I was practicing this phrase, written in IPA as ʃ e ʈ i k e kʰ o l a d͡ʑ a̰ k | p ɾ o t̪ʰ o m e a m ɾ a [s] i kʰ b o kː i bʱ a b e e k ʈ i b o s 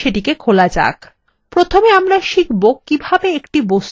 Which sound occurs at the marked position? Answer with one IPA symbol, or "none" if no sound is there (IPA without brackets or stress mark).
ʃ